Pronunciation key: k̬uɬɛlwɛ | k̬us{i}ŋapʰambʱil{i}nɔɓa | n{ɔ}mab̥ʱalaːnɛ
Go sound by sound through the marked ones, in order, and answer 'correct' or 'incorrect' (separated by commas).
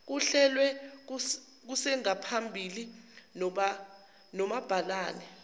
incorrect, correct, correct